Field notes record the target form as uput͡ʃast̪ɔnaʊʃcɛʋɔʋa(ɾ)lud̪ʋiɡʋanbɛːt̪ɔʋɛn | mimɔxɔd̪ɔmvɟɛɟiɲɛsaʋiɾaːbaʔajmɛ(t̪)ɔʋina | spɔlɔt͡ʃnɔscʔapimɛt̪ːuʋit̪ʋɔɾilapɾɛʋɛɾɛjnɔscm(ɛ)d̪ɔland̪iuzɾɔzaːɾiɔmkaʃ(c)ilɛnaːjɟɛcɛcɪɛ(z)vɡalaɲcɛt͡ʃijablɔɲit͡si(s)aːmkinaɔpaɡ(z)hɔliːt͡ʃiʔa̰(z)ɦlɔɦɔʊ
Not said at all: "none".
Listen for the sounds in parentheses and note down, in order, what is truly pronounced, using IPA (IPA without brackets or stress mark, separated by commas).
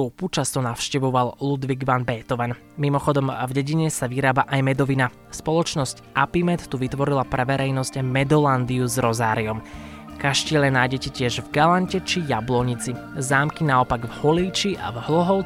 l, d̪, ɛ, c, ʒ, z, v, v